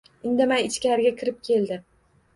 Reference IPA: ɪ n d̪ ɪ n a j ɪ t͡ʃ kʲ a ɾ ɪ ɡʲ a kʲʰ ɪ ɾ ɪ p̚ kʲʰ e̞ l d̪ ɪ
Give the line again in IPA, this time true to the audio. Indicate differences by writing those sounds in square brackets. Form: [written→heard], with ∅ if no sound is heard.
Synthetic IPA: ɪ n d̪ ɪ [n→m] a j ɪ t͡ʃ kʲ a ɾ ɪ ɡʲ a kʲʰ ɪ ɾ ɪ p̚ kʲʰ e̞ l d̪ ɪ

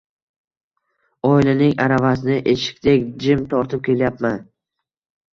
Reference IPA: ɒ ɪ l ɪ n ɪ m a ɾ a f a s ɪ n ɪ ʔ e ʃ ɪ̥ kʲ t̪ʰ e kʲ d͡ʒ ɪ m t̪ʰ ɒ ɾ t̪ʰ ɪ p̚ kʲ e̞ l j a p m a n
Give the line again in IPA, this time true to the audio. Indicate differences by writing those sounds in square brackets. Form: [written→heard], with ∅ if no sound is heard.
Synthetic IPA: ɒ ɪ l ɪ n ɪ [m→ŋ] a ɾ a [f→v] a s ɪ n ɪ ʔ e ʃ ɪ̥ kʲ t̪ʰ e kʲ d͡ʒ ɪ m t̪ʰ ɒ ɾ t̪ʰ ɪ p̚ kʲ e̞ l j a p m a n

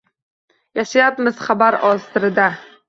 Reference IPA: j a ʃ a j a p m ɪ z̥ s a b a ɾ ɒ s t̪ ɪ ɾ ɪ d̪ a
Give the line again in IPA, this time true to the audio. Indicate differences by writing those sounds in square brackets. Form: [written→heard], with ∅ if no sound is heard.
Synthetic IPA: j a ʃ a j a p m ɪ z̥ [s→χ] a b a ɾ ɒ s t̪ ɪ ɾ ɪ d̪ a

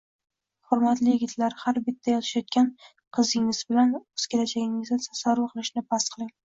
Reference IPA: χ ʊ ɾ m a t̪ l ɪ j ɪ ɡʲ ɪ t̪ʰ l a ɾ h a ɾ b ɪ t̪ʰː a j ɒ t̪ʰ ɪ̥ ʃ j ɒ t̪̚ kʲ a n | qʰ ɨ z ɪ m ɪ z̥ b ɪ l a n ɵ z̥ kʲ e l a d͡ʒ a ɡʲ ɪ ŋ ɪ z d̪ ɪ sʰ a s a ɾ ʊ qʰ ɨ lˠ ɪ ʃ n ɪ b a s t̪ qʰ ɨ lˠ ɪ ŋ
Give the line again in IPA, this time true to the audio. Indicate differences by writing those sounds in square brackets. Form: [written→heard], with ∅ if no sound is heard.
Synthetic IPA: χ ʊ ɾ m a t̪ l ɪ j ɪ ɡʲ ɪ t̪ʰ l a ɾ h a ɾ b ɪ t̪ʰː a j ɒ t̪ʰ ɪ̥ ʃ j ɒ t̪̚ kʲ a n | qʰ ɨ z ɪ [m→ŋ] ɪ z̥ b ɪ l a n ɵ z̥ kʲ e l a d͡ʒ a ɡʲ ɪ ŋ ɪ z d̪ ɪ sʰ a s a ɾ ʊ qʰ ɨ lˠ ɪ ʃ n ɪ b a s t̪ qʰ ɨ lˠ ɪ ŋ

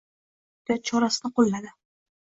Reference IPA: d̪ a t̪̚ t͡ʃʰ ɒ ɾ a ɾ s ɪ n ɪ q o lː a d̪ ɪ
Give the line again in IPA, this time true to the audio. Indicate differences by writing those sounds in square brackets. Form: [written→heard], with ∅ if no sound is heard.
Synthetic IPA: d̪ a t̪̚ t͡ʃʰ ɒ ɾ a [ɾ→∅] s ɪ n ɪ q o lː a d̪ ɪ

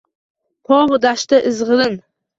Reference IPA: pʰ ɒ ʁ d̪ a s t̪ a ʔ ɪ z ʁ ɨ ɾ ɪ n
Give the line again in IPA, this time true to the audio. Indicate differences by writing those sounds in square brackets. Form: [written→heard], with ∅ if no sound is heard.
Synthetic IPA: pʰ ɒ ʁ d̪ a [s→ʃ] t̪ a ʔ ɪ z ʁ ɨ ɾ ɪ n

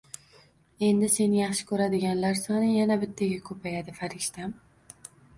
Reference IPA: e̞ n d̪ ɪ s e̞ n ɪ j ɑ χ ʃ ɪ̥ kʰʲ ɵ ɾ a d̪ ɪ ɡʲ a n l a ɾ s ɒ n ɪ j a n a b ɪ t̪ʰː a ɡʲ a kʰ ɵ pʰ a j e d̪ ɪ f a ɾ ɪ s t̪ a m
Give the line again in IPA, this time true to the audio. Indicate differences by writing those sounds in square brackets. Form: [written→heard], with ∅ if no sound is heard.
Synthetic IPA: e̞ n d̪ ɪ s e̞ n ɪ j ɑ χ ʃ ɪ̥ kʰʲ ɵ ɾ a d̪ ɪ ɡʲ a n l a ɾ s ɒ n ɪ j a n a b ɪ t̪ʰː a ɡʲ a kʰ ɵ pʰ a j [e→a] d̪ ɪ f a ɾ ɪ [s→ʃ] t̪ a m

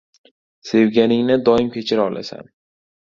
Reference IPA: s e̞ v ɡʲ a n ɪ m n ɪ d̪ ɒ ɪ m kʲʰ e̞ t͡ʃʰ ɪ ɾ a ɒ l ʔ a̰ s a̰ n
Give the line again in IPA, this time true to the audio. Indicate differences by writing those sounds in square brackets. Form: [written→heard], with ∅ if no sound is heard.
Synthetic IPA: s e̞ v ɡʲ a n ɪ [m→ŋ] n ɪ d̪ ɒ ɪ m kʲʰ e̞ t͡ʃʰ ɪ ɾ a ɒ l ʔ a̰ s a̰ n

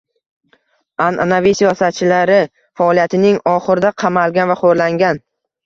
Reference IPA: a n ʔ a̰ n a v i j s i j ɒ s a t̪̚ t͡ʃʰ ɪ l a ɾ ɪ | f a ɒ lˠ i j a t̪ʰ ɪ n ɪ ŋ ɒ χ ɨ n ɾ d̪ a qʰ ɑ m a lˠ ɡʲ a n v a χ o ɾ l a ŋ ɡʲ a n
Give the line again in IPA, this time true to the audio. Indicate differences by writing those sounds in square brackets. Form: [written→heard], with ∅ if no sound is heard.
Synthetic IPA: a n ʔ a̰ n a v i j s i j ɒ s a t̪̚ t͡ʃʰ ɪ l a ɾ ɪ | f a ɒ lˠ i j a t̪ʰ ɪ n ɪ ŋ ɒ χ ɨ [n→∅] ɾ d̪ a qʰ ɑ m a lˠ ɡʲ a n v a χ o ɾ l a ŋ ɡʲ a n

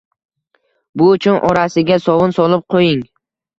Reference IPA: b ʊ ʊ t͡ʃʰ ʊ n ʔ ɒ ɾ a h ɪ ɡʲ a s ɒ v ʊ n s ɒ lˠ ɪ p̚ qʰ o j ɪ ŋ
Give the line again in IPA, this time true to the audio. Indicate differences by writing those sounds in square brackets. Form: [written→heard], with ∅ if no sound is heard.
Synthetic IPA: b ʊ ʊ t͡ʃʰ ʊ n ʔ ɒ ɾ a [h→s] ɪ ɡʲ a s ɒ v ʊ n s ɒ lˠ ɪ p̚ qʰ o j ɪ ŋ

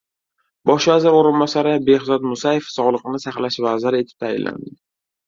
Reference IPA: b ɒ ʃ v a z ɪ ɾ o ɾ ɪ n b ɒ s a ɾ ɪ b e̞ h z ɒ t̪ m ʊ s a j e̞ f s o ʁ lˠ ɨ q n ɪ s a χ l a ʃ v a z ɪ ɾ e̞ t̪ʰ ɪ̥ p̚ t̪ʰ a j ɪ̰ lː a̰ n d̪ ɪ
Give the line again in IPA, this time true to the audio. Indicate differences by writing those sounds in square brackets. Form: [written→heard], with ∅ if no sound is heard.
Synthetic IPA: b ɒ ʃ v a z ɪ ɾ o ɾ ɪ n b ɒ s a ɾ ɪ b e̞ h z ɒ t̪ m ʊ s a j e̞ f s [o→ɒ] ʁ lˠ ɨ q n ɪ s a χ l a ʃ v a z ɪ ɾ e̞ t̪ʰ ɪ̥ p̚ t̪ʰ a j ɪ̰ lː a̰ n d̪ ɪ

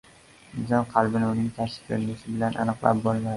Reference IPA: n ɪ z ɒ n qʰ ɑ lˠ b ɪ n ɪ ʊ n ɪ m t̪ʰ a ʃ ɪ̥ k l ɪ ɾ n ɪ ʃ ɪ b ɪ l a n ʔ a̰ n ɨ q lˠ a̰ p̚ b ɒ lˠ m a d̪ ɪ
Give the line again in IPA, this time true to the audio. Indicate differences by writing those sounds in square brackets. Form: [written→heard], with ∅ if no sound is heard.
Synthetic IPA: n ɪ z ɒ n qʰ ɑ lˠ b ɪ n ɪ ʊ n ɪ [m→ŋ] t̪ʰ a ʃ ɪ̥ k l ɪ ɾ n ɪ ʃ ɪ b ɪ l a n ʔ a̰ n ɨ q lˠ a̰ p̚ b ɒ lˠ m a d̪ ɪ

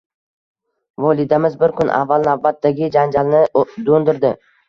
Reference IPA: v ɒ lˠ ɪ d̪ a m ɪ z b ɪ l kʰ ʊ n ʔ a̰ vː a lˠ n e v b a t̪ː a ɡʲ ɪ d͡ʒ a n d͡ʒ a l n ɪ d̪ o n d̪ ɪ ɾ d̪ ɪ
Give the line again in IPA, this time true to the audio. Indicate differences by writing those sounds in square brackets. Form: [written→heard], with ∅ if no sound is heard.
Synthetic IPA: v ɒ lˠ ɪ d̪ a m ɪ z b ɪ [l→ɾ] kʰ ʊ n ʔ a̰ vː a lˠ n [e→a] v b a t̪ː a ɡʲ ɪ d͡ʒ a n d͡ʒ a l n ɪ d̪ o n d̪ ɪ ɾ d̪ ɪ

